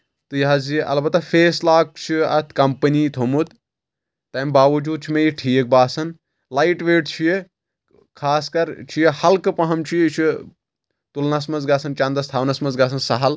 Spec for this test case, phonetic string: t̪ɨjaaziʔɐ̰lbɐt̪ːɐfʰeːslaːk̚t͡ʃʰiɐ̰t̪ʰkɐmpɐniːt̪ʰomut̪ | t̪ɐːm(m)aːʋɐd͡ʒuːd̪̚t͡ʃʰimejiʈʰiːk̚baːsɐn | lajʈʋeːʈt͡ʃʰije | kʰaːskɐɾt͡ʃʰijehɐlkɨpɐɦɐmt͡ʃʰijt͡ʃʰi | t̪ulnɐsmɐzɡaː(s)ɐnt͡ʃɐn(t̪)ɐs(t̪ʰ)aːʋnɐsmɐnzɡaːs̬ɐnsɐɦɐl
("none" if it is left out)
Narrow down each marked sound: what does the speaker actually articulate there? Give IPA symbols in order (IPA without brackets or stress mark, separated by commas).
b, s, d̪, t̪ʰ